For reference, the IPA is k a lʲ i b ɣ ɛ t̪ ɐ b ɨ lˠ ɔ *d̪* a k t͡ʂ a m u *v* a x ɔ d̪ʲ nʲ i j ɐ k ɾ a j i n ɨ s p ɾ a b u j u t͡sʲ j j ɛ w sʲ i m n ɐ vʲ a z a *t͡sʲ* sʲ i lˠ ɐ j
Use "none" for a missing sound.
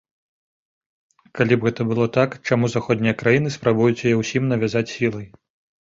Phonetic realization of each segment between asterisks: t̪, z, t͡sʲ

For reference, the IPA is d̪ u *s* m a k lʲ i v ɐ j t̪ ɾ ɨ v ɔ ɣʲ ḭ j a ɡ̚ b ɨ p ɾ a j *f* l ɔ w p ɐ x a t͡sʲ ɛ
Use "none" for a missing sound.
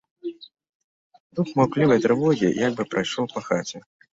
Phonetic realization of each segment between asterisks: x, ʂ

